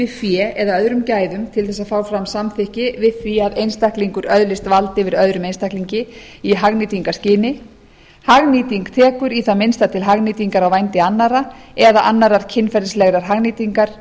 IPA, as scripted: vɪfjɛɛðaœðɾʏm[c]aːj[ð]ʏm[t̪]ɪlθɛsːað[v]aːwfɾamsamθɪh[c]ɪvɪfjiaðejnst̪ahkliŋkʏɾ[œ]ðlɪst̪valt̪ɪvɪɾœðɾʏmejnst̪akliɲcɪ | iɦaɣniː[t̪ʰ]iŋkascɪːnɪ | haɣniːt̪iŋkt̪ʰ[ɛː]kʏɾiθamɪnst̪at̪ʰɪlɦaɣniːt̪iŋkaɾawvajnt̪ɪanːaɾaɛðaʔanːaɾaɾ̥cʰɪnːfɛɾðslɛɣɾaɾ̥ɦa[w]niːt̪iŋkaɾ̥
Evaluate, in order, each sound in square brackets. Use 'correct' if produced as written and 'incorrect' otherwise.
correct, correct, incorrect, incorrect, correct, correct, incorrect, correct, incorrect

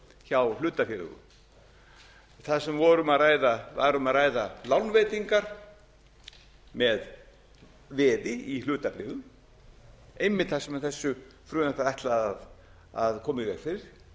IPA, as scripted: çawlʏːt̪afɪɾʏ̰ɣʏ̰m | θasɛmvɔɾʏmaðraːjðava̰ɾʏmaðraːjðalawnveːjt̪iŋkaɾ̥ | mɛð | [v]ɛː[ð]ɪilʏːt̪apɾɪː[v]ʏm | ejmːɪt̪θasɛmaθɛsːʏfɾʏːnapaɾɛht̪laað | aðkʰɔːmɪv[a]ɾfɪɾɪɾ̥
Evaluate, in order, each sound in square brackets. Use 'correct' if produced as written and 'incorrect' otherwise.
correct, correct, incorrect, incorrect

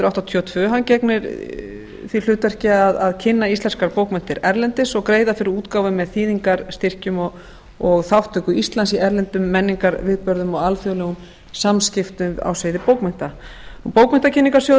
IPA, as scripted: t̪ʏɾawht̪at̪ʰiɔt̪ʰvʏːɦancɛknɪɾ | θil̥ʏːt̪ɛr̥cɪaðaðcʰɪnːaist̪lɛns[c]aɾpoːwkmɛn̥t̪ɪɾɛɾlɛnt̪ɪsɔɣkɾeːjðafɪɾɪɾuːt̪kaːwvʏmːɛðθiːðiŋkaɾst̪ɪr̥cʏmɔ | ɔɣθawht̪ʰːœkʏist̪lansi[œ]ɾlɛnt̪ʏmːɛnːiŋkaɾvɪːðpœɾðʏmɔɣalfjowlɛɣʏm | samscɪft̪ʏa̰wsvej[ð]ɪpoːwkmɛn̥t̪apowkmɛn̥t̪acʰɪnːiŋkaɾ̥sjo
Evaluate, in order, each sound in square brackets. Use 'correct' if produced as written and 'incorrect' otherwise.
incorrect, incorrect, correct

